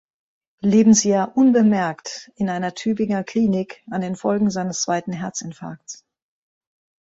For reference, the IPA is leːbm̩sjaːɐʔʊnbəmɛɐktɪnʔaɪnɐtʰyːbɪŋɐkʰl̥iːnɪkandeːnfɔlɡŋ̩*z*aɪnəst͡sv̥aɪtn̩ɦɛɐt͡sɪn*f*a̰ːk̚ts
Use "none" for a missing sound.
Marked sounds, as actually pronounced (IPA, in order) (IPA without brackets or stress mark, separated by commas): z, f